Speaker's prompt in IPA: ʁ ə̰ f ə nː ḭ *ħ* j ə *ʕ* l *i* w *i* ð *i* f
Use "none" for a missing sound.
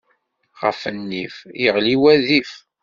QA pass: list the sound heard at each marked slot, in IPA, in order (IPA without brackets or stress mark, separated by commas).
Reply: f, ʁ, i, æ, i